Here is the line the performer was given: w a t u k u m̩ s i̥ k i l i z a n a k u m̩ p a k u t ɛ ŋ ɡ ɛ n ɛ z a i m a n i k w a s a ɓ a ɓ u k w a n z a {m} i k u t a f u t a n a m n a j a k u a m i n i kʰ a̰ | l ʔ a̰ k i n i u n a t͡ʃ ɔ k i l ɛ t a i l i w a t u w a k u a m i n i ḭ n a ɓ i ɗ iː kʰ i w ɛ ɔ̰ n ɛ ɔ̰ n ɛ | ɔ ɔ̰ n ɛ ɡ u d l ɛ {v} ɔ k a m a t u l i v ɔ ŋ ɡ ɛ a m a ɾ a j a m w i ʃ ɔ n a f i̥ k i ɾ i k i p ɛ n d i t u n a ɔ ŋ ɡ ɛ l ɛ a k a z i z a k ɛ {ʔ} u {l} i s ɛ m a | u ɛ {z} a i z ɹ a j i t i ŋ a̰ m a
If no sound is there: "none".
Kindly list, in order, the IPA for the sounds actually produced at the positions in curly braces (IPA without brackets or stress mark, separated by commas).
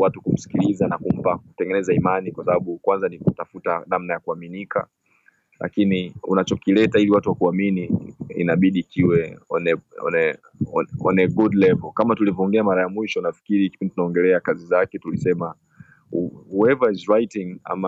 n, v, t, l, v